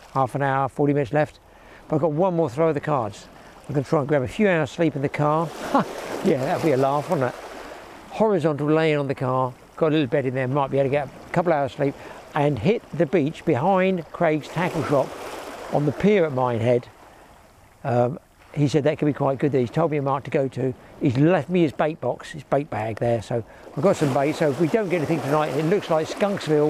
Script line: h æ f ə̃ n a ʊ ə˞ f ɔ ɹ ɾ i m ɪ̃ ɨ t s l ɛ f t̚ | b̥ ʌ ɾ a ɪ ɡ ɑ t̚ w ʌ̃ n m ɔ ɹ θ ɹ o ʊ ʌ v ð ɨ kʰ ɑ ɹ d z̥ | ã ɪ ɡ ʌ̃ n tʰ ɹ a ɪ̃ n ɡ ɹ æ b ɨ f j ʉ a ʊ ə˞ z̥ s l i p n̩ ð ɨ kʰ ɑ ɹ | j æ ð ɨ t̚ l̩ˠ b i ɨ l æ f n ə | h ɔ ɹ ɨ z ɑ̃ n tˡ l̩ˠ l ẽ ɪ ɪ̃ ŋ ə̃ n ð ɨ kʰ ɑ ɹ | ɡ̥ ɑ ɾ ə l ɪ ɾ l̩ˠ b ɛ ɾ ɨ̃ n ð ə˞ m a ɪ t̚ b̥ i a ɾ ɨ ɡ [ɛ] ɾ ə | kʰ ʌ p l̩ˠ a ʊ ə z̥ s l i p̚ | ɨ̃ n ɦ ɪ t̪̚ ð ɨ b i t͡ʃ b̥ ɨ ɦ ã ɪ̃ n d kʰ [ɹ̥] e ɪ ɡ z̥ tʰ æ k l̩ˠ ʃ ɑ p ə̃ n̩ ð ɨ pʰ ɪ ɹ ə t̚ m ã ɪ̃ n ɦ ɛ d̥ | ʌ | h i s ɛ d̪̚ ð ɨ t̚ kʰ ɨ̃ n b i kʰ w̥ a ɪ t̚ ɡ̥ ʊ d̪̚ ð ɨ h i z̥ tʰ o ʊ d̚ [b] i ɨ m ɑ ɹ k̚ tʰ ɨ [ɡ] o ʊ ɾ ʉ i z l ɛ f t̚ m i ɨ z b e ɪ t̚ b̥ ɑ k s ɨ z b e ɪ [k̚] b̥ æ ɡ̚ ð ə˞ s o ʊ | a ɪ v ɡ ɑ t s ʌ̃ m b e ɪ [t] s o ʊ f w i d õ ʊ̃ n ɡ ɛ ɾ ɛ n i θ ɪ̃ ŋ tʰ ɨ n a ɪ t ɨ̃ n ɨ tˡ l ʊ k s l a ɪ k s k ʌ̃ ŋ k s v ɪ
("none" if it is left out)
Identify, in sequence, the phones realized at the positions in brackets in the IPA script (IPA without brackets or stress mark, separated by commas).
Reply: ɛ, ɹ̥, m, ɡ, t̚, t